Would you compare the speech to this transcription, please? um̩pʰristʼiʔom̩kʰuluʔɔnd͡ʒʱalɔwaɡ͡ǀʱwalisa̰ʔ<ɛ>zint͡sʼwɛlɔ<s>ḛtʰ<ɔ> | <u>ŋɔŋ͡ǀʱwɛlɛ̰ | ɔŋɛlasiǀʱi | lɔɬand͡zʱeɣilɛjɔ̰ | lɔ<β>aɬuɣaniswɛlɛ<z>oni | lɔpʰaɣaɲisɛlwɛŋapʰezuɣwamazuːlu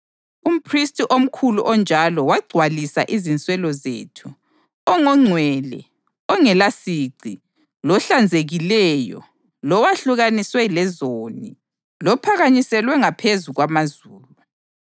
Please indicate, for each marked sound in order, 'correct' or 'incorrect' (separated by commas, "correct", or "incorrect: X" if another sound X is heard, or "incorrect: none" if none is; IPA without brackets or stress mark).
incorrect: i, incorrect: z, incorrect: u, incorrect: ɔ, incorrect: w, correct